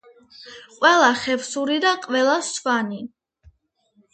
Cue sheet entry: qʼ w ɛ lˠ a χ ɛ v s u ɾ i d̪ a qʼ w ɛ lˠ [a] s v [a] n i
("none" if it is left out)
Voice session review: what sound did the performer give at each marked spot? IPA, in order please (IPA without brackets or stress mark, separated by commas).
a, a